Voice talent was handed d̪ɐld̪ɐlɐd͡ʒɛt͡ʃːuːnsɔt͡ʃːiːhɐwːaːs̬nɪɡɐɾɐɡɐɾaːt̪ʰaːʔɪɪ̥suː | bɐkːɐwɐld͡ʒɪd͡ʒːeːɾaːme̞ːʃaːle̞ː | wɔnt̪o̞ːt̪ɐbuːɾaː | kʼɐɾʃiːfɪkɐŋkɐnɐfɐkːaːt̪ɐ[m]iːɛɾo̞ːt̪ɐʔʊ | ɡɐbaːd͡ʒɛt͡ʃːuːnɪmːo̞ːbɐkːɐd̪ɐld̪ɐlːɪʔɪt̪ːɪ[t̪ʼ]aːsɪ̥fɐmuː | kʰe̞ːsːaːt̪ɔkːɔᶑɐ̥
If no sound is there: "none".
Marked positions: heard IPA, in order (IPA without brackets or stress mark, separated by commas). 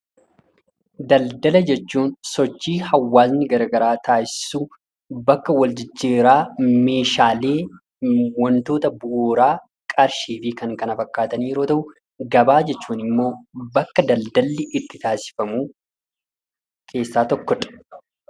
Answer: n, t̪